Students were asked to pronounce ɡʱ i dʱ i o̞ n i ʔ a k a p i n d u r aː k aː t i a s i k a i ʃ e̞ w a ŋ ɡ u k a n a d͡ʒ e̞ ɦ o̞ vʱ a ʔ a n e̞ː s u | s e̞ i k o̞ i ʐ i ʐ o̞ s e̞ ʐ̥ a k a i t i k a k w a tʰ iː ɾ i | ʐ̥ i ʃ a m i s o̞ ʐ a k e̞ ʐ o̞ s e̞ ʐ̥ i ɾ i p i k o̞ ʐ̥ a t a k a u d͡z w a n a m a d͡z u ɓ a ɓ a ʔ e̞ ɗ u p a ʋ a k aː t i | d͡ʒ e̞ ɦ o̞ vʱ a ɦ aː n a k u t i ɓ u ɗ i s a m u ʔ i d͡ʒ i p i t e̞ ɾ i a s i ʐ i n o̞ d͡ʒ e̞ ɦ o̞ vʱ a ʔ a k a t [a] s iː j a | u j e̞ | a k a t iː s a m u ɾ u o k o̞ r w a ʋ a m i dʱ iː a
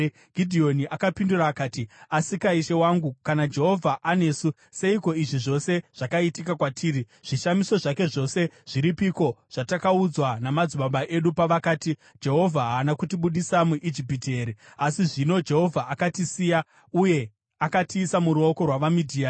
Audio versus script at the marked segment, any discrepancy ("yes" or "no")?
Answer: yes